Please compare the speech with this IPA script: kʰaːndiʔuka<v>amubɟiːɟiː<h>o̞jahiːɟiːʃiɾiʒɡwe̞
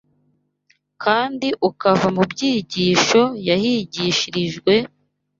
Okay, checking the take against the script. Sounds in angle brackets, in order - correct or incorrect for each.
correct, incorrect: ʃ

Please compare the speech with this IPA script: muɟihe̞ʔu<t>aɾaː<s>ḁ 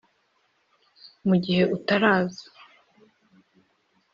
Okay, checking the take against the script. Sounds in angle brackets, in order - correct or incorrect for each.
correct, incorrect: z

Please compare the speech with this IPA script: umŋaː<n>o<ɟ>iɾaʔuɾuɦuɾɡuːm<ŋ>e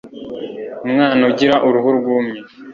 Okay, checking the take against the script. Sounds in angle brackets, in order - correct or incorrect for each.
correct, correct, incorrect: ɲ

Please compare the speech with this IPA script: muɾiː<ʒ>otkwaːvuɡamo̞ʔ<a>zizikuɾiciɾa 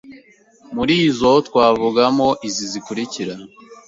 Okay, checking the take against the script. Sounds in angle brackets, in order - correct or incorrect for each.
incorrect: z, incorrect: i

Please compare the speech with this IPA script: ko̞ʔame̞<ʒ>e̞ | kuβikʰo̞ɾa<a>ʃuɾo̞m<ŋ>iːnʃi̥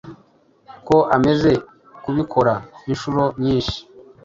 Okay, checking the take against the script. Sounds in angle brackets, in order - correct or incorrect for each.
incorrect: z, incorrect: i, incorrect: ɲ

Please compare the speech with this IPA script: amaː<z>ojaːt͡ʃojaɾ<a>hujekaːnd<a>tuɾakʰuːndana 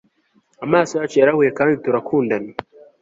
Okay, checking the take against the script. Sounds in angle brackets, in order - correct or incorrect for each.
incorrect: s, correct, incorrect: i

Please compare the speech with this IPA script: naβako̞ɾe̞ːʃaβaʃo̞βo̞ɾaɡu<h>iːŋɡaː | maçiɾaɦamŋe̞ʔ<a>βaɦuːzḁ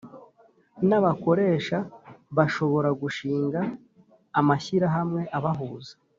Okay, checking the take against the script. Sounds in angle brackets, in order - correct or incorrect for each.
incorrect: ʃ, correct

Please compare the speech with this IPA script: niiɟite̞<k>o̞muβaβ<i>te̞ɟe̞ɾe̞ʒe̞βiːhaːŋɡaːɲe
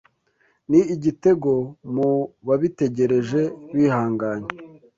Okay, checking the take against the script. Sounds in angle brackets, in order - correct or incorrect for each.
incorrect: ɡ, correct

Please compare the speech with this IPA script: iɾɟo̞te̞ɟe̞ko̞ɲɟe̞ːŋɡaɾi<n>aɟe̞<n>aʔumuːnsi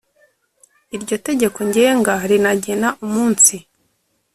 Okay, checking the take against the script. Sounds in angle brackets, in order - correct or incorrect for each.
correct, correct

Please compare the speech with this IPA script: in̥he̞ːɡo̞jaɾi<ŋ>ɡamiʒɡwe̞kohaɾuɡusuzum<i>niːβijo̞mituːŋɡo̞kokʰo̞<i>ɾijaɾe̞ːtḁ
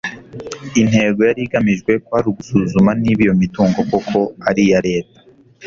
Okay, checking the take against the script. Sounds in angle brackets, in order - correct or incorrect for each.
incorrect: none, incorrect: a, incorrect: a

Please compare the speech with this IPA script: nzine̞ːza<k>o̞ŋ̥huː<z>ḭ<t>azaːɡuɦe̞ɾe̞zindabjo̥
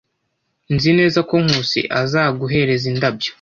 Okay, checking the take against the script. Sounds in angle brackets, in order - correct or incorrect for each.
correct, incorrect: s, incorrect: ʔ

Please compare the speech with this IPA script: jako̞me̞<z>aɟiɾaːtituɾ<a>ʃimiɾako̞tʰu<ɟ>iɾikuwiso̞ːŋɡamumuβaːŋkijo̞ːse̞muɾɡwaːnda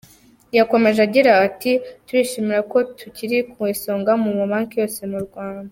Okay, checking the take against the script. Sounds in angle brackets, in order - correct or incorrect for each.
incorrect: ʒ, incorrect: i, incorrect: c

